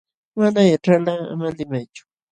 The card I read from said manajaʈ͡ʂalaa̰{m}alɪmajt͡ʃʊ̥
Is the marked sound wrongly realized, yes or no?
no